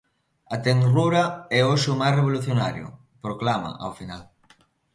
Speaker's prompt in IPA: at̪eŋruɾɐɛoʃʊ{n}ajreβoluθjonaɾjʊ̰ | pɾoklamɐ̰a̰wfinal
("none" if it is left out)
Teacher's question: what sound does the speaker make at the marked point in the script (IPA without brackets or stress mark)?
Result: m